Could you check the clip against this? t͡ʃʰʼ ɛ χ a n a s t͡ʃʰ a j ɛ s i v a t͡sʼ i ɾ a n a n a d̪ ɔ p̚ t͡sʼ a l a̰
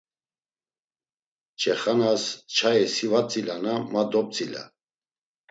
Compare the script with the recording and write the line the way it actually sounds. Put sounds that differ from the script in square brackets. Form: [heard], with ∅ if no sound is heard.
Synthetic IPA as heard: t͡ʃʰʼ ɛ χ a n a s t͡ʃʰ a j ɛ s i v a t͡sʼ i [l] a n a [m] a d̪ ɔ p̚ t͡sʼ [i] l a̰